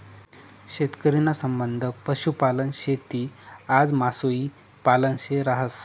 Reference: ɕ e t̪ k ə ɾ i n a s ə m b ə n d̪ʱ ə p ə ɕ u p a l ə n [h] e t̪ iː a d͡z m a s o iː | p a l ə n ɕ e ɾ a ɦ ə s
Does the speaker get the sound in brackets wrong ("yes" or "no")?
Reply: yes